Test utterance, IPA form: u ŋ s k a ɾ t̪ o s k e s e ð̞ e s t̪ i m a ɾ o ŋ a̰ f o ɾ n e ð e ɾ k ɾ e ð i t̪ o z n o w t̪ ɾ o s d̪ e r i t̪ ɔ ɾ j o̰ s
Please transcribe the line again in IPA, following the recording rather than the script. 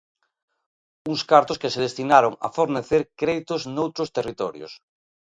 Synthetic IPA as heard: u ŋ s k a ɾ t̪ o s k e s e ð̞ e s t̪ i n a ɾ o ŋ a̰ f o ɾ n e θ e ɾ k ɾ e ð i t̪ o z n o w t̪ ɾ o s t̪ e r i t̪ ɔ ɾ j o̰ s

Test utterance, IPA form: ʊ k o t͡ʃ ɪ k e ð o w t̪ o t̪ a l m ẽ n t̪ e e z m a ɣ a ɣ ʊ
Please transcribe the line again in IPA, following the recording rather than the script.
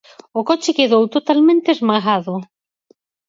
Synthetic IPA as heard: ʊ k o t͡ʃ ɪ k e ð o w t̪ o t̪ a l m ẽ n t̪ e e z m a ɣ a ð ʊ

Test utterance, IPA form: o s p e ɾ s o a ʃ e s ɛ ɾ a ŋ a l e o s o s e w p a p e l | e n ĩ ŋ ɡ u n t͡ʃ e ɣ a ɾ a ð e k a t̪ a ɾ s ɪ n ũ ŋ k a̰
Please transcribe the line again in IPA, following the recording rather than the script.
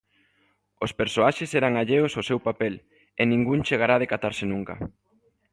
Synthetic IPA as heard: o s p e ɾ s o a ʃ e s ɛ ɾ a ŋ a ʎ e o s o s e w p a p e l | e n ĩ ŋ ɡ u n t͡ʃ e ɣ a ɾ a ð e k a t̪ a ɾ s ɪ n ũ ŋ k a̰

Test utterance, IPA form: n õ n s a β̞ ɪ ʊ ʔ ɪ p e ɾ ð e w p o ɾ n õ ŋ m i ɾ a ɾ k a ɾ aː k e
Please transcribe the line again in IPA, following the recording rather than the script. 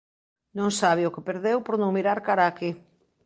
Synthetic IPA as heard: n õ ŋ s a β̞ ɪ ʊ k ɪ p e ɾ ð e w p o ɾ n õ ŋ m i ɾ a ɾ k a ɾ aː k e

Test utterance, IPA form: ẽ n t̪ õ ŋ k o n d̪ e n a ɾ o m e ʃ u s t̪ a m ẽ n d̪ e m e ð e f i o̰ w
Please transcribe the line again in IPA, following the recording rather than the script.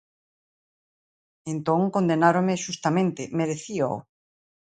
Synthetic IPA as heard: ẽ n t̪ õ ŋ k o n d̪ e n a ɾ o m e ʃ u s t̪ a m ẽ n t̪ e m e ð e θ i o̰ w

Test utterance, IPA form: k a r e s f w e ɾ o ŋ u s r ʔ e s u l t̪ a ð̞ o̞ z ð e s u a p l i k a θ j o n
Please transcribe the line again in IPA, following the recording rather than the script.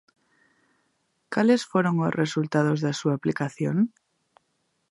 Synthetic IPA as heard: k a l e s f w e ɾ o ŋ o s r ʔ e s u l t̪ a ð̞ o̞ z ð e s u a p l i k a θ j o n

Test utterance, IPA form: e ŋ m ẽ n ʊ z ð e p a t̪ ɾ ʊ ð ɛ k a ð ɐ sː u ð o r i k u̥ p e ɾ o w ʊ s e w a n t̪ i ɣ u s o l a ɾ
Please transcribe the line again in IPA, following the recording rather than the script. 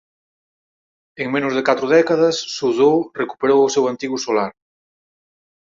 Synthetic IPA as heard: e ŋ m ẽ n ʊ z ð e k a t̪ ɾ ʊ ð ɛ k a ð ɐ sː u ð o r e k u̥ p e ɾ o w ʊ s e w a n t̪ i ɣ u s o l a ɾ

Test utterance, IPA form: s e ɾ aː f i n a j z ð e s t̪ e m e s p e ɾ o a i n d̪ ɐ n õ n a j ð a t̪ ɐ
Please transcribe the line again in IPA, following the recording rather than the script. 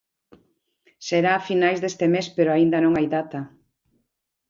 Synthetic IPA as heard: s e ɾ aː f i n a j z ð e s t̪ e m e s p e ɾ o a i n d̪ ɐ n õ ŋ a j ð a t̪ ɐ

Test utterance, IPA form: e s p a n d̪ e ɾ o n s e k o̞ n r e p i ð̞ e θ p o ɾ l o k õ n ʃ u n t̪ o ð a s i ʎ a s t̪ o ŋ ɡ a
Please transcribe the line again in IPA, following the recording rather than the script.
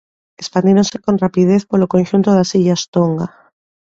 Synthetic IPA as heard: e s p a n d̪ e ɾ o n s e k o̞ n r a p i ð̞ e θ p o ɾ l o k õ n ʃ u n t̪ o ð a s i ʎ a s t̪ o ŋ ɡ a

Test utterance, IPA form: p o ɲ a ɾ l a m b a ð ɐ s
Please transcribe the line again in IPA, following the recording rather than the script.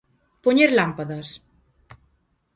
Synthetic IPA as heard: p o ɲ e ɾ l a m p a ð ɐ s

